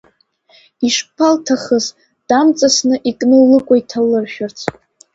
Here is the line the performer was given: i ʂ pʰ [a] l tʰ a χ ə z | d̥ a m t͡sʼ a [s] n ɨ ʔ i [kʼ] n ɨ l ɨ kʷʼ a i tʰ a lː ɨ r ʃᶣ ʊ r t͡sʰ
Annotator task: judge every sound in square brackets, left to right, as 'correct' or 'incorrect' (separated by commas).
correct, correct, correct